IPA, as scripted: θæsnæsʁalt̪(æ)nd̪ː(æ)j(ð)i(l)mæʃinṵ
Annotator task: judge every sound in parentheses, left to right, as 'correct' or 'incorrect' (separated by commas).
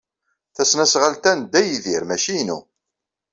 correct, correct, correct, incorrect